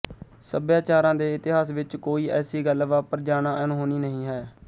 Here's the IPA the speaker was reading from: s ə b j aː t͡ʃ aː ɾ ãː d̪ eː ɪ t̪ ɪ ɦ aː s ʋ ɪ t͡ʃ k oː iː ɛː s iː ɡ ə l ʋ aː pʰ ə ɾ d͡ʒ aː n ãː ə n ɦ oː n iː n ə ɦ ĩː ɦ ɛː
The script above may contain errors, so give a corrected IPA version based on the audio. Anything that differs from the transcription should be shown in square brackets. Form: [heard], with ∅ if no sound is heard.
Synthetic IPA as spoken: s ə b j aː t͡ʃ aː ɾ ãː d̪ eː ɪ t̪ ɪ ɦ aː s ʋ ɪ t͡ʃ k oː iː ɛː s iː ɡ ə l ʋ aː [p] ə ɾ d͡ʒ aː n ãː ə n ɦ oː n iː n ə ɦ ĩː ɦ ɛː